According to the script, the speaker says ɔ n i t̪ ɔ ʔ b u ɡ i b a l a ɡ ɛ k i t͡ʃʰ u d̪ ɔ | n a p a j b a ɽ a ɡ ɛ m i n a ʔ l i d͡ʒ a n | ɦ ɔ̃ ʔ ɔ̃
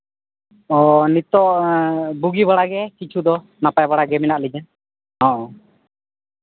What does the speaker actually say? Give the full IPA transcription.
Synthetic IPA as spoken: ɔ n i t̪ ɔ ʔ b u ɡ i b a ɽ a ɡ ɛ k i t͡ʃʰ u d̪ ɔ | n a p a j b a ɽ a ɡ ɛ m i n a ʔ l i d͡ʒ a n | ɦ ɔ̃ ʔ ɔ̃